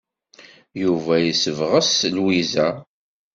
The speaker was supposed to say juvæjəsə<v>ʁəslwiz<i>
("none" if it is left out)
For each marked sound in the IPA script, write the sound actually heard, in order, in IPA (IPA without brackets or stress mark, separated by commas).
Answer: v, æ